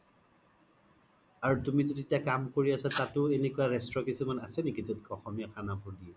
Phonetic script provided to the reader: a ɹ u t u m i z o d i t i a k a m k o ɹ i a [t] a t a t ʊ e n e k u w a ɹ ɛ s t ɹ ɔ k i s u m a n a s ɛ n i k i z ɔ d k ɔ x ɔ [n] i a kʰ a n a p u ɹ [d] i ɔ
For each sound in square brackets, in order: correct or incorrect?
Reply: incorrect, incorrect, correct

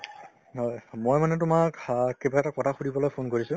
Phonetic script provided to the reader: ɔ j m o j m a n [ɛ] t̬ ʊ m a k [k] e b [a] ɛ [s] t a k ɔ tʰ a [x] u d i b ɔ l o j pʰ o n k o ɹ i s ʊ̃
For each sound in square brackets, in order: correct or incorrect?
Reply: correct, correct, correct, incorrect, correct

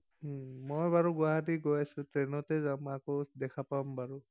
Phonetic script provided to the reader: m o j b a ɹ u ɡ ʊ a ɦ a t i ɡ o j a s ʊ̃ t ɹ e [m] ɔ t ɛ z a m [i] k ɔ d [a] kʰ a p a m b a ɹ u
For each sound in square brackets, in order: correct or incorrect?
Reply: incorrect, incorrect, incorrect

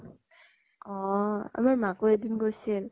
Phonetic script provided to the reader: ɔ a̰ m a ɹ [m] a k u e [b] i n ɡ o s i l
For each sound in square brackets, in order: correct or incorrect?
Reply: correct, incorrect

